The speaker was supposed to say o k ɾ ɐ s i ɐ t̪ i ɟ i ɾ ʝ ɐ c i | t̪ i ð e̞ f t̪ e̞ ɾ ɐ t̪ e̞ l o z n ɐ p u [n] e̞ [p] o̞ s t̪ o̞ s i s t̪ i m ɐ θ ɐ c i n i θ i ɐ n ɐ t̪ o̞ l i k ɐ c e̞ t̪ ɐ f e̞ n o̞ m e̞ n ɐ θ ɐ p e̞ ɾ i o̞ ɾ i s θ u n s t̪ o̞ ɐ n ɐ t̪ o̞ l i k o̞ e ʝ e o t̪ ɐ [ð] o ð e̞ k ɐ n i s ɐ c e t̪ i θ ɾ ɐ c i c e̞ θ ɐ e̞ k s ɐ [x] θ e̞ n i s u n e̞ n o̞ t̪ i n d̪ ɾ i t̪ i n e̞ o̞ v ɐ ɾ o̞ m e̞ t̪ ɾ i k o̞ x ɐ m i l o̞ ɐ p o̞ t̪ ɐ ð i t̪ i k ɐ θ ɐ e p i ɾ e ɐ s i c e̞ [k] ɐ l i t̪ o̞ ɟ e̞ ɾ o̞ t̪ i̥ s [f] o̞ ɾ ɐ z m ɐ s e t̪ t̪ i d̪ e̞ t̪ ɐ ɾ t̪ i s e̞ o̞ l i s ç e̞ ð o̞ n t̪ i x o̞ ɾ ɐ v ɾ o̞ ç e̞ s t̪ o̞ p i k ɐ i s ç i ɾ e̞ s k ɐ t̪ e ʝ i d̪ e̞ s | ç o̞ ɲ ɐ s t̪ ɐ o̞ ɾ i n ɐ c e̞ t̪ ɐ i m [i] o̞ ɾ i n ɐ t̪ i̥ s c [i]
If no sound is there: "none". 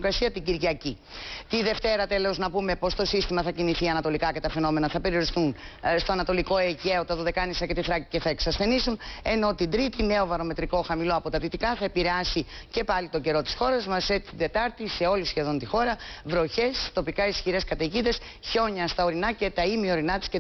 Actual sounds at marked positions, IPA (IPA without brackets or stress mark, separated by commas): m, p, ð, s, p, x, i, e